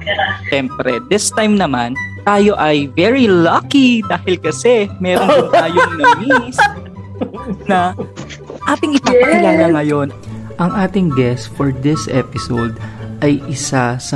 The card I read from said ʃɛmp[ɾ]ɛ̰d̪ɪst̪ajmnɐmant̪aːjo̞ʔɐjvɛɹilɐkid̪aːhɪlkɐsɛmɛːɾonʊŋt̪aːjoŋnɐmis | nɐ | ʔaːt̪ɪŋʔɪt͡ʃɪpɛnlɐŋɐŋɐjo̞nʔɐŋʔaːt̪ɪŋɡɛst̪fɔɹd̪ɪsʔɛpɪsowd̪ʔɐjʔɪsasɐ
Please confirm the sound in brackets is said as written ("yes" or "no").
yes